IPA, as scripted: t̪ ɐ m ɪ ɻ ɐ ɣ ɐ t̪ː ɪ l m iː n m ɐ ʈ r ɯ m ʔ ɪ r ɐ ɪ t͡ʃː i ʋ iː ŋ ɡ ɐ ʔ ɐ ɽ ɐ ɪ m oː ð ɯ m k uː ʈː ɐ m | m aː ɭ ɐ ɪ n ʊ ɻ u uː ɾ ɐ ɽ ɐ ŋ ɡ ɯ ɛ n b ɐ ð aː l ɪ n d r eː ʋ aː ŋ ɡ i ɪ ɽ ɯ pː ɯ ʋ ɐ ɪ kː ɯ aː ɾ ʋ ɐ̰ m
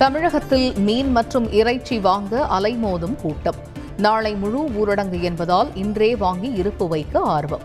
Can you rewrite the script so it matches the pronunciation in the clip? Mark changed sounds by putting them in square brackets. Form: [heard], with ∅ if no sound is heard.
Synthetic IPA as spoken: t̪ ɐ m ɪ ɻ ɐ ɣ ɐ t̪ː ɪ l m iː n m ɐ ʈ r ɯ m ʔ ɪ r ɐ ɪ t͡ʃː i ʋ [aː] ŋ ɡ ɐ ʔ ɐ [l] ɐ ɪ m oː ð ɯ m k uː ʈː ɐ m | [n] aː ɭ ɐ ɪ [m] ʊ ɻ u uː ɾ ɐ ɽ ɐ ŋ ɡ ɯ ɛ n b ɐ ð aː l ɪ n d r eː ʋ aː ŋ ɡ i ɪ [ɾ] ɯ pː ɯ ʋ ɐ ɪ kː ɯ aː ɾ ʋ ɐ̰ m